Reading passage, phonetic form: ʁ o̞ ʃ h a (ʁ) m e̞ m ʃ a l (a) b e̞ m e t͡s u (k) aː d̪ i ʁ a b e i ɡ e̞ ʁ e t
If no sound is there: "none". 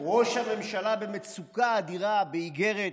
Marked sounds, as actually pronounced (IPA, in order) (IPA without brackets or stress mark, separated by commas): none, a, k